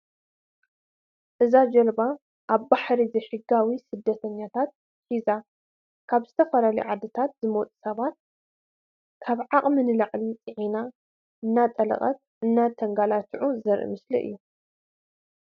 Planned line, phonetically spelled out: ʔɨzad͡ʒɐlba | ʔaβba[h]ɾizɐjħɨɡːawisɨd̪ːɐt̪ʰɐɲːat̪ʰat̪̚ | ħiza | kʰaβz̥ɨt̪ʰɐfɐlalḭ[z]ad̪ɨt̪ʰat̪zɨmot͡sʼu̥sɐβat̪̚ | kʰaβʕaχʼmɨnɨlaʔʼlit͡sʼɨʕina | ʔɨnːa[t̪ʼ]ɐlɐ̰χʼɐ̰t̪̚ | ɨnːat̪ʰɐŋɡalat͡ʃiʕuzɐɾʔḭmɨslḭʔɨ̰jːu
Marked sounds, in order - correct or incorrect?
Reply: incorrect, incorrect, correct

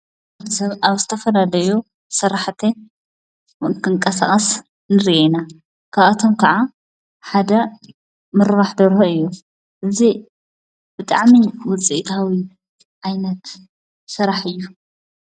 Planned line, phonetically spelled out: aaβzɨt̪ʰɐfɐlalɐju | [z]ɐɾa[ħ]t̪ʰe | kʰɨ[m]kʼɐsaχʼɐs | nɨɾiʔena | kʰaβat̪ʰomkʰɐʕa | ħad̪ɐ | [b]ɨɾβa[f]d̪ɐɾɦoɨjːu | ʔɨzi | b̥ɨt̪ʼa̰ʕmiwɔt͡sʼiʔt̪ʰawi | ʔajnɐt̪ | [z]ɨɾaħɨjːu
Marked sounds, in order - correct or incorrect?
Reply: incorrect, correct, incorrect, incorrect, incorrect, incorrect

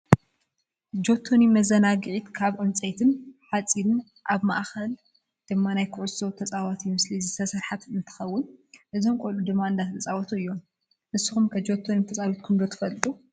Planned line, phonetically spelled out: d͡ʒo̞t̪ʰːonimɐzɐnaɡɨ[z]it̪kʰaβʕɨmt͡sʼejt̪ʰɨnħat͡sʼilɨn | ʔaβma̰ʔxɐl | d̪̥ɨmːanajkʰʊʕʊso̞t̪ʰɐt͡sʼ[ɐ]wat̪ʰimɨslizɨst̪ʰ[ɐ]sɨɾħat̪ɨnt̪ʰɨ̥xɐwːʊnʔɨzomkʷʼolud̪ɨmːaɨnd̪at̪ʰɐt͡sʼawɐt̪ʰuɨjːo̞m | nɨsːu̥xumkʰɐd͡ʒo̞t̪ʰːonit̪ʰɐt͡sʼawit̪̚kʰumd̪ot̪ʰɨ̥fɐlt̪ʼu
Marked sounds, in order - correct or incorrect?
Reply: incorrect, incorrect, correct

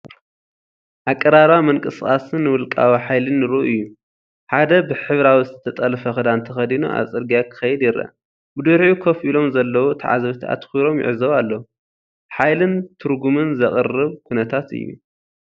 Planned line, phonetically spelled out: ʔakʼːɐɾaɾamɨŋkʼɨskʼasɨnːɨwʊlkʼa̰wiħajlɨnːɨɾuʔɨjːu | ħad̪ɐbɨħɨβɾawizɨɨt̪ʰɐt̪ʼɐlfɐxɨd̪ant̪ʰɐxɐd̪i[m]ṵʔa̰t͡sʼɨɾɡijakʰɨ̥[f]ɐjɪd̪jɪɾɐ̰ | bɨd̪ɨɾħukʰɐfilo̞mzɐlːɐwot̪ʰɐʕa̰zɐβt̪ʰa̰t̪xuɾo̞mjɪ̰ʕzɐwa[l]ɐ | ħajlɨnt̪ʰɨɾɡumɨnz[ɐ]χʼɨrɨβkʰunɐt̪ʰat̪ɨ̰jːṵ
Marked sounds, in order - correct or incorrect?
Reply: incorrect, incorrect, incorrect, correct

